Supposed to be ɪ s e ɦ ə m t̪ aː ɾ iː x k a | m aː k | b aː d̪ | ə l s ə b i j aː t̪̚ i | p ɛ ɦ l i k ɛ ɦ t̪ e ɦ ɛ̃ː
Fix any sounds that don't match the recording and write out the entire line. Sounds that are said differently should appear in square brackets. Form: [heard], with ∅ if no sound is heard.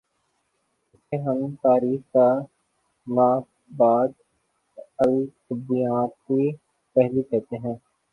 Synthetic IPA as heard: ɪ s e ɦ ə m t̪ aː ɾ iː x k a | m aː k | b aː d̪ | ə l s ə b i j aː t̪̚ i | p ɛ ɦ l i k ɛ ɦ t̪ e ɦ ɛ̃ː